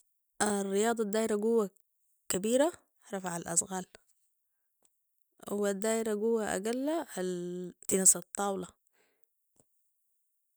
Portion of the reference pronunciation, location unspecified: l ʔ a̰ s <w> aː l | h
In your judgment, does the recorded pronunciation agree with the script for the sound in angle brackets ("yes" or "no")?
no